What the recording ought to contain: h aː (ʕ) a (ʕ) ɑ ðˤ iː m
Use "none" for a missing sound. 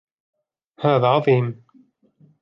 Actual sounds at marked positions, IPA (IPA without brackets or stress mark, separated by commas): ð, ʕ